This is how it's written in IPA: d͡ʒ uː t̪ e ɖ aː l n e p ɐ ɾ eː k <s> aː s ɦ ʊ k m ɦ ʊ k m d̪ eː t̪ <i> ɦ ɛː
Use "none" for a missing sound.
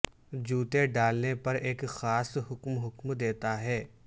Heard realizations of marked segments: x, a

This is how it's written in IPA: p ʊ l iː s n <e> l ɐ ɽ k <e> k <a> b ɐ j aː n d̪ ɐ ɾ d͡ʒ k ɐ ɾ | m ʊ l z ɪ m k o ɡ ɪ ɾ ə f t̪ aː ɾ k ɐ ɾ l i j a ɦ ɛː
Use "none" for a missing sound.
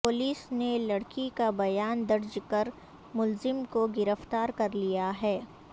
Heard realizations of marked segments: e, i, a

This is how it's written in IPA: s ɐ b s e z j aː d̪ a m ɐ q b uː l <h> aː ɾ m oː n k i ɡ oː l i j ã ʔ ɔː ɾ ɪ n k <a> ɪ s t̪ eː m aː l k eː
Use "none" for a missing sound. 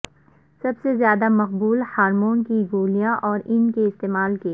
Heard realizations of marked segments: h, e

